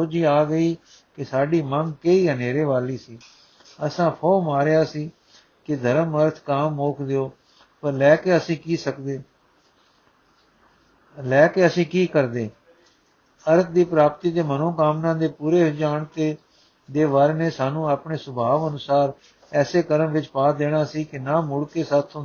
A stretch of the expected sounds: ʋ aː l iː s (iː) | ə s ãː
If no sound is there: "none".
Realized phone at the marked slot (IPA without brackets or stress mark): iː